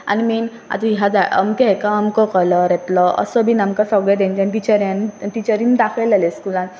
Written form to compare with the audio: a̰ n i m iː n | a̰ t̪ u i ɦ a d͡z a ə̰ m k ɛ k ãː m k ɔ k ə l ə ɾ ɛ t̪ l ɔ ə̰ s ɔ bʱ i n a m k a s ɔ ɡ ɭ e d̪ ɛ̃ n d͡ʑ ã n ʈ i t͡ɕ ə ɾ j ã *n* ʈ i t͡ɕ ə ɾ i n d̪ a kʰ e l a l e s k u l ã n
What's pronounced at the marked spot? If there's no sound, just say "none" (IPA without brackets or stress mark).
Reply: n